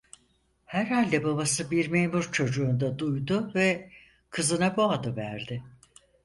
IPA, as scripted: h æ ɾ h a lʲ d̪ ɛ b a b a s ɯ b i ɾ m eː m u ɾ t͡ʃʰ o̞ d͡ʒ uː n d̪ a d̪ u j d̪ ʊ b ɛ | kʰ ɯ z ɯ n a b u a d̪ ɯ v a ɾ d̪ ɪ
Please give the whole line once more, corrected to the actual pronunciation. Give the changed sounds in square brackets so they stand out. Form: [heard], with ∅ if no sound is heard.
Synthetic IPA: h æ ɾ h a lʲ d̪ ɛ b a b a s ɯ b i ɾ m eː m u ɾ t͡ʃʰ o̞ d͡ʒ uː n d̪ a d̪ u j d̪ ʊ [v] ɛ | kʰ ɯ z ɯ n a b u a d̪ ɯ v [æ] ɾ d̪ ɪ